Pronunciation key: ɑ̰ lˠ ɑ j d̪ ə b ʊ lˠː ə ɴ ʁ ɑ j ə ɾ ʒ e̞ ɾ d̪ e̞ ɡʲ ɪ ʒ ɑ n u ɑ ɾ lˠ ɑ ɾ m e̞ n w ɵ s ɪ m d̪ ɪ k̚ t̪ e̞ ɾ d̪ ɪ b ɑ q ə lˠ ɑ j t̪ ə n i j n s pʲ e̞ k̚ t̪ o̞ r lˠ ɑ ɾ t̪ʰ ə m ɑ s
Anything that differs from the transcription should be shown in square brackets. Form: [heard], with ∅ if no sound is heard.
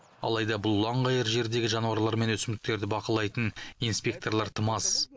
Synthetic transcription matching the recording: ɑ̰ lˠ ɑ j d̪ [ɑ] b ʊ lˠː [ɑ] ɴ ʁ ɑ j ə ɾ ʒ e̞ ɾ d̪ e̞ ɡʲ ɪ ʒ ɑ n u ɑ ɾ lˠ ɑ ɾ m e̞ n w ɵ s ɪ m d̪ ɪ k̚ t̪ e̞ ɾ d̪ ɪ b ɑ q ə lˠ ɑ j t̪ ə n i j n s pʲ e̞ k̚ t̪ o̞ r lˠ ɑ ɾ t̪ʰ ə m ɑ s